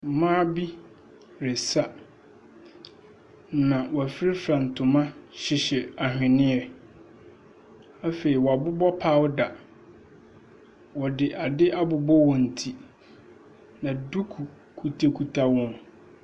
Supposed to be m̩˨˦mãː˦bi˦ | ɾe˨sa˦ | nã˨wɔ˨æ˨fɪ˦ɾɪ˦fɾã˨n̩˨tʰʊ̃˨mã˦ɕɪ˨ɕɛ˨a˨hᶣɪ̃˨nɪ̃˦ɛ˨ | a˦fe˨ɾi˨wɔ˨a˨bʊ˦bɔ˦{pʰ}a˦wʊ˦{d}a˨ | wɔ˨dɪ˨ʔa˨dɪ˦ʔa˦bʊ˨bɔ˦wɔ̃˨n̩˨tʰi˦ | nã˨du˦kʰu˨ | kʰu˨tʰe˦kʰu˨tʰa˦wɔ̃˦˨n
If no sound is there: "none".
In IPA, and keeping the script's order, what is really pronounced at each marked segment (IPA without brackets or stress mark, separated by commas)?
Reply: pʰ, d